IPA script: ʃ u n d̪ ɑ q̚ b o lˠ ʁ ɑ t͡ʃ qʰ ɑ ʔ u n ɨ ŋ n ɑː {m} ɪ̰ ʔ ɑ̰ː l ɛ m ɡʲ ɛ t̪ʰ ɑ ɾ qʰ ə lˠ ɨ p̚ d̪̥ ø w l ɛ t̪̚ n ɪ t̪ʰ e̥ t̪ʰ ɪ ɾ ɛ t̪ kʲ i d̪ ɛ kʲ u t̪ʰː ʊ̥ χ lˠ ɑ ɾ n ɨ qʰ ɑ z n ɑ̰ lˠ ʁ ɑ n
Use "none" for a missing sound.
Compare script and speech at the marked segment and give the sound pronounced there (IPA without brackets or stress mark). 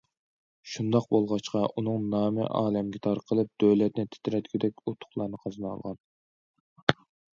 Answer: m